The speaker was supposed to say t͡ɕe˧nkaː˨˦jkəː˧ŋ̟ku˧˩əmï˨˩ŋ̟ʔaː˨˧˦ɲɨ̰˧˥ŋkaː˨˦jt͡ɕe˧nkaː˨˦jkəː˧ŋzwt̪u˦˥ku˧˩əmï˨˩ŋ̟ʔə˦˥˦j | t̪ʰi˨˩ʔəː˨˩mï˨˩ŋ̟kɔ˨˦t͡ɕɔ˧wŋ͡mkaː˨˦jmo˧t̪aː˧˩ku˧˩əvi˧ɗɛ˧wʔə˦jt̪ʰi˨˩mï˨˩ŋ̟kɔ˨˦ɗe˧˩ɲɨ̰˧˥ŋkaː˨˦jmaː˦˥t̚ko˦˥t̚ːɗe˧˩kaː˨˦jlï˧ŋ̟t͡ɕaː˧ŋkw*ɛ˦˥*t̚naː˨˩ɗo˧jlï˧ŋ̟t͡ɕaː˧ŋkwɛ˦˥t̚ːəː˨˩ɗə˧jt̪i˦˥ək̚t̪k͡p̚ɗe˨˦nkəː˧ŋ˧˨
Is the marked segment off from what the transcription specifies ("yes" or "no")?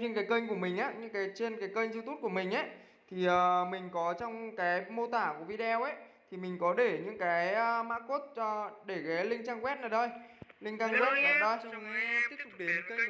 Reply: no